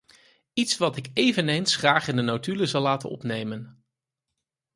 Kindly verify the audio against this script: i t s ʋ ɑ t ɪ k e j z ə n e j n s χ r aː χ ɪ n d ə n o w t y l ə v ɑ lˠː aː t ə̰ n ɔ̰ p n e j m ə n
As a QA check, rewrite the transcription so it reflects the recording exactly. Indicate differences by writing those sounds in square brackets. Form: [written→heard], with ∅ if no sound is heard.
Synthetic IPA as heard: i t s ʋ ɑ t ɪ k e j [z→v] ə n e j n s χ r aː χ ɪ n d ə n o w t y l ə [v→z] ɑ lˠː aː t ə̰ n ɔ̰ p n e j m ə n